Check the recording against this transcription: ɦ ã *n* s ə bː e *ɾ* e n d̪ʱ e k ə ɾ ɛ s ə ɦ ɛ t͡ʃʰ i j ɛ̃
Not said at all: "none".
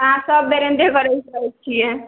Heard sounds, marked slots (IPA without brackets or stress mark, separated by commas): none, ɾ